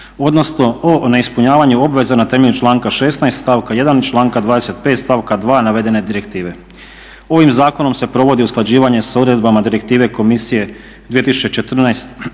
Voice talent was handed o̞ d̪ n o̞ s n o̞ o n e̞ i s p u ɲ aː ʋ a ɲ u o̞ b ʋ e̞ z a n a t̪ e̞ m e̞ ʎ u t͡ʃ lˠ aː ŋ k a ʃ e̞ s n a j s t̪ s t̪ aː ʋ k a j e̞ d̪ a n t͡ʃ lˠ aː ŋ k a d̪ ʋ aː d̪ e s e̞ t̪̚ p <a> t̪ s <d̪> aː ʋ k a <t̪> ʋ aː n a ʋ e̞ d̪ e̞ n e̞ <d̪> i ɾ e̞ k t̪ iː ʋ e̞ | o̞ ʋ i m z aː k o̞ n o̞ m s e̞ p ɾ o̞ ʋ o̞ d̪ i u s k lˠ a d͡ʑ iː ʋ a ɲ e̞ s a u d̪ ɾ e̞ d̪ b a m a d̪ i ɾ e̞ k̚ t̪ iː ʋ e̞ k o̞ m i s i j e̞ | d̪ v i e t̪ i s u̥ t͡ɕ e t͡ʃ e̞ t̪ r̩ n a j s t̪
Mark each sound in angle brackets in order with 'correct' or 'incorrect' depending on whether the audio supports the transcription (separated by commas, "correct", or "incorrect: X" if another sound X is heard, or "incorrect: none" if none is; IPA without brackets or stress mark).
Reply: incorrect: e, incorrect: t̪, incorrect: d̪, correct